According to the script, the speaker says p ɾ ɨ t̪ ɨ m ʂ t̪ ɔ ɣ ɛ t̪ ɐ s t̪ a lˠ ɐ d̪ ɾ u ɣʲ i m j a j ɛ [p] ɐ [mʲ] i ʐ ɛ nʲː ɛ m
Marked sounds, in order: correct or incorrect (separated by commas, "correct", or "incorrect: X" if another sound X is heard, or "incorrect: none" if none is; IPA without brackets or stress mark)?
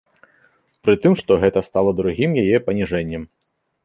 correct, incorrect: nʲ